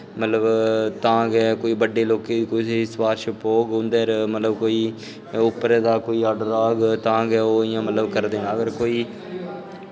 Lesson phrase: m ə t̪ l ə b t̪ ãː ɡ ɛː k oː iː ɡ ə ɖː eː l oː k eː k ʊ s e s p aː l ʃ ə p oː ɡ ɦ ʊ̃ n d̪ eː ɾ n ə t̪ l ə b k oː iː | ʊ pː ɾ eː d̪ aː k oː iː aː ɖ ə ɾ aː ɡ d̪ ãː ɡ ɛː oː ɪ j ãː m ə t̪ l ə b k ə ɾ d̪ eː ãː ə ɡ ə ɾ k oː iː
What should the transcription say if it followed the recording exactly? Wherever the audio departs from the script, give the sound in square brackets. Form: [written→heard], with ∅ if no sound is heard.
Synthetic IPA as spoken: m ə t̪ l ə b t̪ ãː ɡ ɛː k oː iː [ɡ→b] ə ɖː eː l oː k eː k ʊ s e s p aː [l→ɾ] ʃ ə p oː ɡ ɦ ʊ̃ n d̪ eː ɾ [n→m] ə t̪ l ə b k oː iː | ʊ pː ɾ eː d̪ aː k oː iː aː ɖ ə ɾ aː ɡ [d̪→t̪] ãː ɡ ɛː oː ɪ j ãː m ə t̪ l ə b k ə ɾ d̪ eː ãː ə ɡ ə ɾ k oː iː